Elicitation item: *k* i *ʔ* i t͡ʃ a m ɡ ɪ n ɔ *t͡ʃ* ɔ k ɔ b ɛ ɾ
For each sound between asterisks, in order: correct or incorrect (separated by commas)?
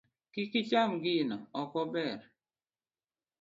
correct, incorrect, incorrect